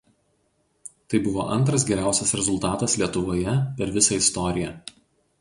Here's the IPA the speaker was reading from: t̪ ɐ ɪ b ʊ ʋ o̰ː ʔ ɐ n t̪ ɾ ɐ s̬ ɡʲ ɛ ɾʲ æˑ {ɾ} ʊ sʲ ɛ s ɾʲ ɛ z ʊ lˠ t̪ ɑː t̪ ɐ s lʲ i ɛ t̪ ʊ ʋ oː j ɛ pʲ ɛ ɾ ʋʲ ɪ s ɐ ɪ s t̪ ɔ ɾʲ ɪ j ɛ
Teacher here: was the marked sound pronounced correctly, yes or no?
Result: no